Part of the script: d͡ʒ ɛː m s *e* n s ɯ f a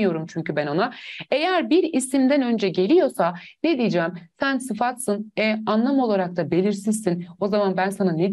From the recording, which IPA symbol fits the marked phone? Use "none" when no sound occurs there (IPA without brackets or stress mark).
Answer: æ